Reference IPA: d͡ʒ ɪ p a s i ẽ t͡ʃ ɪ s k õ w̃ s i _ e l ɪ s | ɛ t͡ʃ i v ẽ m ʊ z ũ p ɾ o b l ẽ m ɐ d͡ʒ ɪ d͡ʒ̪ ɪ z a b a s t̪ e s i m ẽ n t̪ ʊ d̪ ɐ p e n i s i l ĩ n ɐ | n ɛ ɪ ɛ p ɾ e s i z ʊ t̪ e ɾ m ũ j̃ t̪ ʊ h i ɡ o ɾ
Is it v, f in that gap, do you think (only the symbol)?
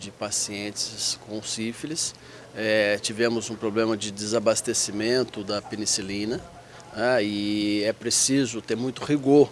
f